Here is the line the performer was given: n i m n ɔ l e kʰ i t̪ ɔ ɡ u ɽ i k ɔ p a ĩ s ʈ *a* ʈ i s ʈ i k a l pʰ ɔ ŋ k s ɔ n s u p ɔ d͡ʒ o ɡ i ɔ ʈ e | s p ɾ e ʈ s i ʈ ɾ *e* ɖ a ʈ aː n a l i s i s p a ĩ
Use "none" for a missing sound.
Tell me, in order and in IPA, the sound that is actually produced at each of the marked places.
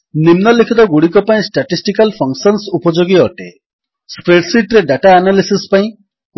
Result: a, e

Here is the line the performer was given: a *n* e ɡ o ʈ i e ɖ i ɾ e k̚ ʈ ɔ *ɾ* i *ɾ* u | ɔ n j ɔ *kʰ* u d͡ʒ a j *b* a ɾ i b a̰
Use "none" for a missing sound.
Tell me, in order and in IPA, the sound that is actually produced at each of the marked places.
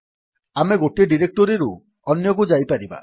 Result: m, ɾ, ɾ, k, p

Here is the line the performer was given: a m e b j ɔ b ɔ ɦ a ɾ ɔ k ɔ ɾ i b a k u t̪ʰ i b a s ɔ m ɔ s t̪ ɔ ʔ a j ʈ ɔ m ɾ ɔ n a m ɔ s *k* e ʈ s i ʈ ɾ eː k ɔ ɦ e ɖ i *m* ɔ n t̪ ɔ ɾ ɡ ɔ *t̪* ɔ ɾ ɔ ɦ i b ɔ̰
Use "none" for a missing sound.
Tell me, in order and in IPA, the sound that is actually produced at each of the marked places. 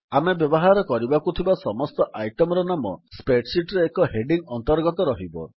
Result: p, ŋ, t̪

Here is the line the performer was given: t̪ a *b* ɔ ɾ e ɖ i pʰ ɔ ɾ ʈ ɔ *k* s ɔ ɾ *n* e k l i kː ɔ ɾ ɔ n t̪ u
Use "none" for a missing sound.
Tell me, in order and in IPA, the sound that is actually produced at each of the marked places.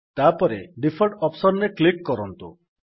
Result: p, p, n

